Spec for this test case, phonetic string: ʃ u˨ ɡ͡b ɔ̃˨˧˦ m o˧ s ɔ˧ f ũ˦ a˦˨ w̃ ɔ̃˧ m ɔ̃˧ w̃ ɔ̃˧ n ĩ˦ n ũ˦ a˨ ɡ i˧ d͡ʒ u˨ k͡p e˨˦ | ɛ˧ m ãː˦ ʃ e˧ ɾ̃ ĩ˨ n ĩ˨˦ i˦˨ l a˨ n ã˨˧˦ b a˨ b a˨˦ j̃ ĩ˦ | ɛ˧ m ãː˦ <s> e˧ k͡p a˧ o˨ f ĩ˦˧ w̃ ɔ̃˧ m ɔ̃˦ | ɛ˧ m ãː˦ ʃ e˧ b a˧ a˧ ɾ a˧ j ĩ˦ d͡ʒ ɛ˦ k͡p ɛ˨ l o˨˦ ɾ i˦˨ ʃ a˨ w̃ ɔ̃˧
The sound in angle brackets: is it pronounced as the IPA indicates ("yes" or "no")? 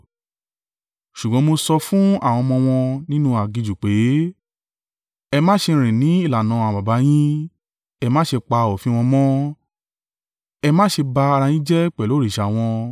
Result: no